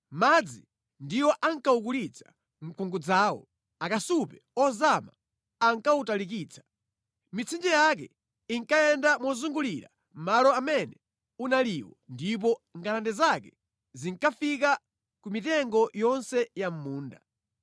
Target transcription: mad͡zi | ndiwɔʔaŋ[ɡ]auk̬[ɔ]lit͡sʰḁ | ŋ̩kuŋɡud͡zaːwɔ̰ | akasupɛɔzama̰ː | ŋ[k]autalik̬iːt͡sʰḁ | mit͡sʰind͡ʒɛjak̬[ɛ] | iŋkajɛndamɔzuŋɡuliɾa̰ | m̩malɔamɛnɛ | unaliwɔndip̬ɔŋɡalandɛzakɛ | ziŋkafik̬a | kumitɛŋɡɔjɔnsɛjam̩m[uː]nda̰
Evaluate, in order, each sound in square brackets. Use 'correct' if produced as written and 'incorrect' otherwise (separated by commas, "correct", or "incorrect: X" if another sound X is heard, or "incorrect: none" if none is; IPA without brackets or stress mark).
incorrect: k, incorrect: u, correct, correct, correct